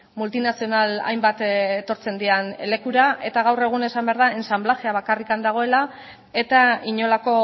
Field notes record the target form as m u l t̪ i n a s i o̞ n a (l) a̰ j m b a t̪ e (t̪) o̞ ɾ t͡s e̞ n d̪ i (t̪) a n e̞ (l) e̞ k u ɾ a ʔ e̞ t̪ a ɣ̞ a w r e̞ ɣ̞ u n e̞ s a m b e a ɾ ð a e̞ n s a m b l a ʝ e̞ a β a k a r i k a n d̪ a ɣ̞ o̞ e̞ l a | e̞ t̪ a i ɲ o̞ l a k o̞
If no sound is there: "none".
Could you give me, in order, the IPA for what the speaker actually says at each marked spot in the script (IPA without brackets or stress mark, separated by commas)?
l, t̪, none, l